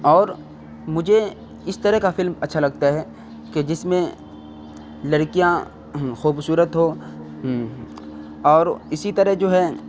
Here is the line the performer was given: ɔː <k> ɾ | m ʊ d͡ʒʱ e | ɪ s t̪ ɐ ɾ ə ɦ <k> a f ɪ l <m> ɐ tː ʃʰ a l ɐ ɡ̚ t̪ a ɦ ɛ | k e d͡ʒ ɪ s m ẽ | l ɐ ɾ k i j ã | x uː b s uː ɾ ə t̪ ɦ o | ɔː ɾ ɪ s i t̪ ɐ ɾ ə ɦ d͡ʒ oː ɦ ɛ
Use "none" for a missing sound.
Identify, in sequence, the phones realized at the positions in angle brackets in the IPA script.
none, k, m

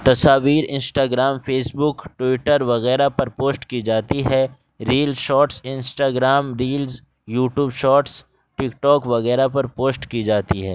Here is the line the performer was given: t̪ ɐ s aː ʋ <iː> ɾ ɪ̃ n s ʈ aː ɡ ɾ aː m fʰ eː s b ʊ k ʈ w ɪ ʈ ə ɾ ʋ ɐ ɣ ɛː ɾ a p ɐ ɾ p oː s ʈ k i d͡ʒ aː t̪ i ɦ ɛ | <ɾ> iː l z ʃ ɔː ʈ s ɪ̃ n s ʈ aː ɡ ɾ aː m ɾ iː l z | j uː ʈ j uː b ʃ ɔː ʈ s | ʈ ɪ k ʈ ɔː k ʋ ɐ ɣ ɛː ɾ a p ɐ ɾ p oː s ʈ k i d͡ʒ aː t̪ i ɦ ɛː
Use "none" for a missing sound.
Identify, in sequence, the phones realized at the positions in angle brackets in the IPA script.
iː, ɾ

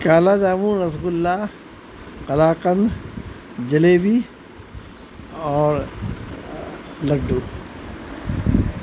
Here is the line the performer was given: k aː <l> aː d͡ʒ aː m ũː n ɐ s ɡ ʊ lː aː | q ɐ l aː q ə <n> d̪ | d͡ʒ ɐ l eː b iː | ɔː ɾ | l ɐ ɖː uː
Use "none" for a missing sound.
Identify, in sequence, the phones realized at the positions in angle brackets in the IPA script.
l, n

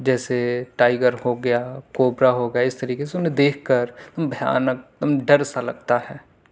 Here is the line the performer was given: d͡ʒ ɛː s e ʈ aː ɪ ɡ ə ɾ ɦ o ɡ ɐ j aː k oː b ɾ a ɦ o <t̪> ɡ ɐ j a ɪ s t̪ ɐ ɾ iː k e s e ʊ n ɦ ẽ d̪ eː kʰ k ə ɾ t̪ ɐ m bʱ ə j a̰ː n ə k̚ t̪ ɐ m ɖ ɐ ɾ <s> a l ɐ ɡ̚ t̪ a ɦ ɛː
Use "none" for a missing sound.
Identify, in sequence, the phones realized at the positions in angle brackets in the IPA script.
none, s

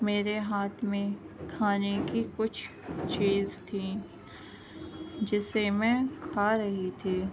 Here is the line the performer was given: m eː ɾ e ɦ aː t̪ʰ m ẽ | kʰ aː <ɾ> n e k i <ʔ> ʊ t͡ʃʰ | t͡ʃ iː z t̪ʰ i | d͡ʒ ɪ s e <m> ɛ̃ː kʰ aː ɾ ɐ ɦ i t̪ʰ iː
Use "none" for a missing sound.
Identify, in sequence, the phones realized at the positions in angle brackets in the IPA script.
none, k, m

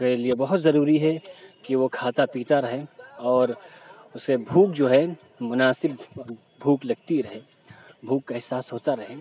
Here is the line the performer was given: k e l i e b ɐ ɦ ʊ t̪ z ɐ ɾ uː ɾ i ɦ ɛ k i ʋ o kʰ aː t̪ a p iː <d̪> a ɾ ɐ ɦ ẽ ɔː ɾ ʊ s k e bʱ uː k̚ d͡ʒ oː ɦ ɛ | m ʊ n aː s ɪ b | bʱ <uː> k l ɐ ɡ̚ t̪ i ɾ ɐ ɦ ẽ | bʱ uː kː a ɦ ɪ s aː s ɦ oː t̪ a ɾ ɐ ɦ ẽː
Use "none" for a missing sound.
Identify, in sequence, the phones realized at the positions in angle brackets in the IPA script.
t̪, uː

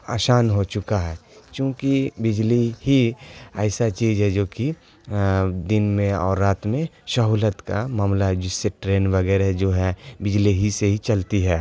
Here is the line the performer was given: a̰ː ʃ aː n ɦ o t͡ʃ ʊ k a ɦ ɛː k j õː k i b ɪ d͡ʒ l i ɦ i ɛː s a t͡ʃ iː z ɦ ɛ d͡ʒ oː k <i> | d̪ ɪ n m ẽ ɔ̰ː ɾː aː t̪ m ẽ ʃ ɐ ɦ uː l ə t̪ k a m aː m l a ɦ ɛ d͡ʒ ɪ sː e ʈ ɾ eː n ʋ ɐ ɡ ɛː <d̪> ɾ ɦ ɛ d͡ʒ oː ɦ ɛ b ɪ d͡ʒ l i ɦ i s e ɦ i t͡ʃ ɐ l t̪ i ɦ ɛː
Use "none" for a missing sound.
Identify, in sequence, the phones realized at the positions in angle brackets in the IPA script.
i, none

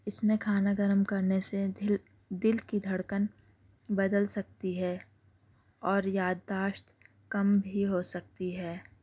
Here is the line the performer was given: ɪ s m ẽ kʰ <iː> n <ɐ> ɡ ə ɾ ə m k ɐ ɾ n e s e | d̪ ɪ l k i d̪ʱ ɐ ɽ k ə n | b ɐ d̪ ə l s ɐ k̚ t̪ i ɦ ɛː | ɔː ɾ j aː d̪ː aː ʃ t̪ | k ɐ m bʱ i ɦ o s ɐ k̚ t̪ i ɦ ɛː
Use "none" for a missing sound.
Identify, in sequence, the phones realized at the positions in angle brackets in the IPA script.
aː, a

